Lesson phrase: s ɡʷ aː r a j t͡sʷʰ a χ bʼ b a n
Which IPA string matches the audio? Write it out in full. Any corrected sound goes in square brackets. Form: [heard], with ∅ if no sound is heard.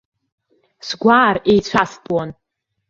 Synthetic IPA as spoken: s ɡʷ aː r [e] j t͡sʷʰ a [s] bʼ [w] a n